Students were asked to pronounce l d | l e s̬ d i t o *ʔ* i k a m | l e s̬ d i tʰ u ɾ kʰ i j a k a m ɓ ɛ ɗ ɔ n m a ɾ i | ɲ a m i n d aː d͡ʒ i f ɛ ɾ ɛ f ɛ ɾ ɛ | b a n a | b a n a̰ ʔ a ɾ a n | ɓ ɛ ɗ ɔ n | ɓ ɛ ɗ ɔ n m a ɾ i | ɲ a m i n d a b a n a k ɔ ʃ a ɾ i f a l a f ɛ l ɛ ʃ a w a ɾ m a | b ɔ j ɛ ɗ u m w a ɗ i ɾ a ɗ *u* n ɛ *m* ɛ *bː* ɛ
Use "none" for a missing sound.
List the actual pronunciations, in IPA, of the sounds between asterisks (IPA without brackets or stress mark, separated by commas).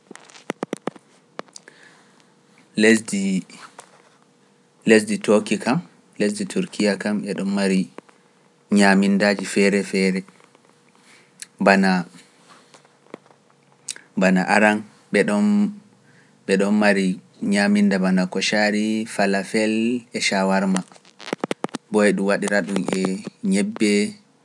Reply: k, u, ɲ, bː